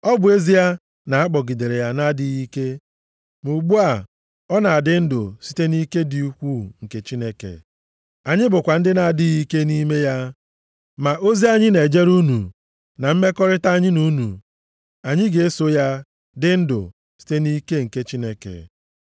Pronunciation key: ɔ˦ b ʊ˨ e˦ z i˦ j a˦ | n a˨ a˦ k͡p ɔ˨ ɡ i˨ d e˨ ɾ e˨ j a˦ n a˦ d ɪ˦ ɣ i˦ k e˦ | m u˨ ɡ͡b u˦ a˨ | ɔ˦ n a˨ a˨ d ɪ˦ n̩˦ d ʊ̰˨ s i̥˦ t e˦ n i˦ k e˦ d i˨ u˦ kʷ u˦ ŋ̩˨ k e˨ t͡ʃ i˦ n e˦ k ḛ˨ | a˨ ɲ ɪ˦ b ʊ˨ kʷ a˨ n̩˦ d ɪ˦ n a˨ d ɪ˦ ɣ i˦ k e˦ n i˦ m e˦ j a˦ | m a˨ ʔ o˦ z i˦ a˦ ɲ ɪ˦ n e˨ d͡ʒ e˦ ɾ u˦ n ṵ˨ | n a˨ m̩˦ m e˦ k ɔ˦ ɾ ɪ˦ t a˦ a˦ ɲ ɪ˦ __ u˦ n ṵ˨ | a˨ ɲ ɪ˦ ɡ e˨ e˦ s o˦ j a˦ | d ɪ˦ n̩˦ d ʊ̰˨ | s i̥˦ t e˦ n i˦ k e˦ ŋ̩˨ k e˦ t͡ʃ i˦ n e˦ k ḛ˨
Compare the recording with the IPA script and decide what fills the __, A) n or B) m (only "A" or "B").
A